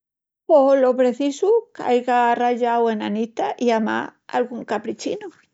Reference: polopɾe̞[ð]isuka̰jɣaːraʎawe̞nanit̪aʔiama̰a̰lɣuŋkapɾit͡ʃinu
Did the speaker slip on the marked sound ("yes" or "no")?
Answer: yes